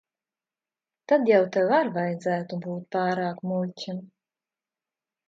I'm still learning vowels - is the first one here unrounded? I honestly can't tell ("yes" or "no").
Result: yes